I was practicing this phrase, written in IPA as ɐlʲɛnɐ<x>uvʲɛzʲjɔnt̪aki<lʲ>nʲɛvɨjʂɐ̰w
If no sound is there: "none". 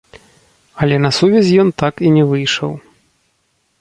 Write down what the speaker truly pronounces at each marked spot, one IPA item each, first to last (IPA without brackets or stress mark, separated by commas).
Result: s, none